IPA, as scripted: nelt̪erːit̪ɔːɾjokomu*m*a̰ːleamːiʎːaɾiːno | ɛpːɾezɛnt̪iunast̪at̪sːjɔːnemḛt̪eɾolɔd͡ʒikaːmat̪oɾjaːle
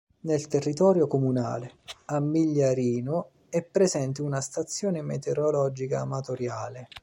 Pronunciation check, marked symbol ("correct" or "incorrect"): incorrect